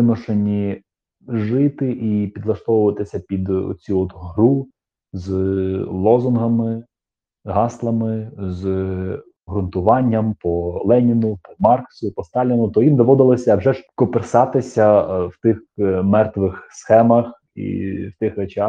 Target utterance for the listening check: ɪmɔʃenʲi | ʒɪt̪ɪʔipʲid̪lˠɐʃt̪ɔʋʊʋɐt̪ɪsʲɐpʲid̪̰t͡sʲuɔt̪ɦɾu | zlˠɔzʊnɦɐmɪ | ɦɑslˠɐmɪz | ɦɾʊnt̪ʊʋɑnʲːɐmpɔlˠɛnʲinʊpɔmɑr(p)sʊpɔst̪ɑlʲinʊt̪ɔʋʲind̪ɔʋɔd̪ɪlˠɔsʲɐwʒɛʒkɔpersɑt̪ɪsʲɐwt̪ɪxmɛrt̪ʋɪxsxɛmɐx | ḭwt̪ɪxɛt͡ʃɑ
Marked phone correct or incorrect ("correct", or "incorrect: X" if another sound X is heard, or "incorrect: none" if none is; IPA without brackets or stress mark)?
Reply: incorrect: k